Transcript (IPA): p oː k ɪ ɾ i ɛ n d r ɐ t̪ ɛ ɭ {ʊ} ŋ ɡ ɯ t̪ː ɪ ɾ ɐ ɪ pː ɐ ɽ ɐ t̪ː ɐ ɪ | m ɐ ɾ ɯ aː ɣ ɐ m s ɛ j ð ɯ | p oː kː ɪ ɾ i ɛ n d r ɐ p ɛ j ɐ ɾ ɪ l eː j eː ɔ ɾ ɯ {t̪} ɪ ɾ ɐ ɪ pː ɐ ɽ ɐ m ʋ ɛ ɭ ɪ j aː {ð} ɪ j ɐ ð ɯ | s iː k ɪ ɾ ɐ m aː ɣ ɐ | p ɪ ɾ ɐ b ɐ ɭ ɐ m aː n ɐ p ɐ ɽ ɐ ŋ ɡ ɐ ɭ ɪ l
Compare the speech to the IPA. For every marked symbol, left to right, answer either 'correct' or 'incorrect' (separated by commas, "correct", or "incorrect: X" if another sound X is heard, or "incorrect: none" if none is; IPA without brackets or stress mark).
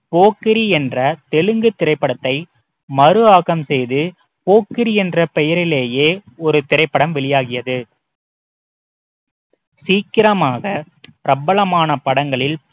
incorrect: ɯ, correct, incorrect: ɣ